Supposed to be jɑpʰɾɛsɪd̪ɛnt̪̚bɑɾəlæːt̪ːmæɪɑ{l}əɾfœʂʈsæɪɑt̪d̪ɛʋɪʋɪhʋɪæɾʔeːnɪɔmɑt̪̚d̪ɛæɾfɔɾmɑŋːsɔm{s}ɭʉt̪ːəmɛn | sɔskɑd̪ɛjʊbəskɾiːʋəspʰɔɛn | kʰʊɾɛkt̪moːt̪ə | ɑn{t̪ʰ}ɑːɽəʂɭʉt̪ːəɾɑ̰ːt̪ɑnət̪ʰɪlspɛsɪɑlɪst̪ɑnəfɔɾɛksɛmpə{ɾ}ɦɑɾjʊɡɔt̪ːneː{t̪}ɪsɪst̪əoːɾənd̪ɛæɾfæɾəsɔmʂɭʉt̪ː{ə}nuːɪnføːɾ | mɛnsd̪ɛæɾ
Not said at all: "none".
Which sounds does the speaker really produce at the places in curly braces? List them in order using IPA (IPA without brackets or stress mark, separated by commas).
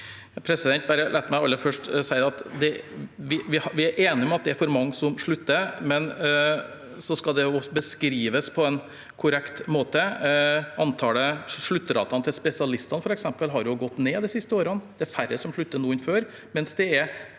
lː, ʂ, t̪ʰ, l, d̪, ə